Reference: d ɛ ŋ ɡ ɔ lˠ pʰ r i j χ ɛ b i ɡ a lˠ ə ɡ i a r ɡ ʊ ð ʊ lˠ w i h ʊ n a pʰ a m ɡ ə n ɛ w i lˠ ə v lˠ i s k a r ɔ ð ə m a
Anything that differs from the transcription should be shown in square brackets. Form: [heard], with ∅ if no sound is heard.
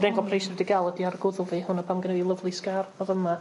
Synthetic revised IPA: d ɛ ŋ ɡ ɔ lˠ pʰ r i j [s] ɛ [d] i ɡ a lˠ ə [d] i a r ɡ ʊ ð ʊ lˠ [v] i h ʊ n a pʰ a m ɡ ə n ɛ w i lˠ ə v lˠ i s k a r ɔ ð ə m a